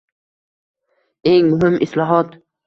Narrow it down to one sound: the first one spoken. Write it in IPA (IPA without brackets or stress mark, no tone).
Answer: e